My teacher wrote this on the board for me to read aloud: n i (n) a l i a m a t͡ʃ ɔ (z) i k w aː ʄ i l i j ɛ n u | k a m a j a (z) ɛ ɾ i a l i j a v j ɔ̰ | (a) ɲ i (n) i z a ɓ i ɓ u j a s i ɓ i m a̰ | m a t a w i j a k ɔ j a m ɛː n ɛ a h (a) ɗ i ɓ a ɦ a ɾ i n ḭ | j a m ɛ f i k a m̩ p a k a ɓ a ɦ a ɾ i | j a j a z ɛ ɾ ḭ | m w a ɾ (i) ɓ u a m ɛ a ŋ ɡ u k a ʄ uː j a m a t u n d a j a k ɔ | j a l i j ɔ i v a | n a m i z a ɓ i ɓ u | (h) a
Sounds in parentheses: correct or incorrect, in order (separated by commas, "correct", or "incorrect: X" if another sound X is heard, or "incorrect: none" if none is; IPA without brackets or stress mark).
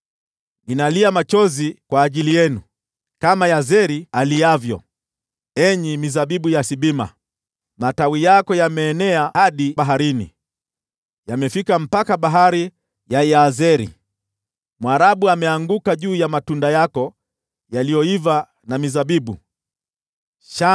correct, correct, correct, incorrect: ɛ, incorrect: m, correct, incorrect: a, incorrect: ʃ